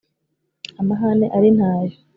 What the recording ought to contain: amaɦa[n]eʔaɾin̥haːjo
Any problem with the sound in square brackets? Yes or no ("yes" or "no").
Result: no